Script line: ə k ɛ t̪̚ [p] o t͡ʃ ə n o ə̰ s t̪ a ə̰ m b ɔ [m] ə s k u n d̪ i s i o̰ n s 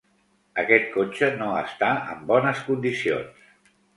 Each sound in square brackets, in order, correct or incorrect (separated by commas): incorrect, incorrect